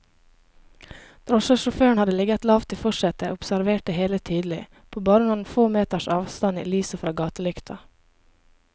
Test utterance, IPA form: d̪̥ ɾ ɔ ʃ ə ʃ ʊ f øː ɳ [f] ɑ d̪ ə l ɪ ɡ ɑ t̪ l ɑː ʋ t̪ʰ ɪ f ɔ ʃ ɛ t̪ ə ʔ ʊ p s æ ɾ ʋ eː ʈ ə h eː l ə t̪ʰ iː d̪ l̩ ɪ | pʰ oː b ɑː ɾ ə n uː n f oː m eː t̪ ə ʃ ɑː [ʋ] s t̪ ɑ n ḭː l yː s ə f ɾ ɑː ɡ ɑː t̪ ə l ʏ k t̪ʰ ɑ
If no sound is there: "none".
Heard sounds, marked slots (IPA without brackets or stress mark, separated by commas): h, ʋ